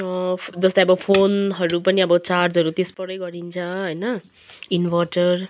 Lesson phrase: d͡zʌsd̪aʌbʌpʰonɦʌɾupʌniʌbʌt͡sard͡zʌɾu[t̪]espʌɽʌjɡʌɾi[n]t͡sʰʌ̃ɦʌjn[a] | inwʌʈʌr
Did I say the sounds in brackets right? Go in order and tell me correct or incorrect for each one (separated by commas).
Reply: correct, correct, incorrect